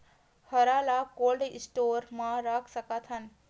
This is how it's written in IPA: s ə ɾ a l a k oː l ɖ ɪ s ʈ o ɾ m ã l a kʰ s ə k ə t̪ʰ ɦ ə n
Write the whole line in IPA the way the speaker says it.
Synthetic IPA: h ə ɾ a l a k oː l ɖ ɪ s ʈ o ɾ m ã ɾ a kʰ s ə k a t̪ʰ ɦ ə n